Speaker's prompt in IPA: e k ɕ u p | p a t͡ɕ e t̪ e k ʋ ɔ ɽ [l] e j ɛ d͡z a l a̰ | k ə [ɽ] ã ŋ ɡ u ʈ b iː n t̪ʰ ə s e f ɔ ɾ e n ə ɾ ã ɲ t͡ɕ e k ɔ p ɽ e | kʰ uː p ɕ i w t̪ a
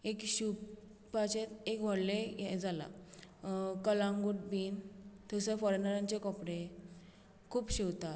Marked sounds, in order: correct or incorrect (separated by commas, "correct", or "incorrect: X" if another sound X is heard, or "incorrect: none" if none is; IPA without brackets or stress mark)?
correct, incorrect: l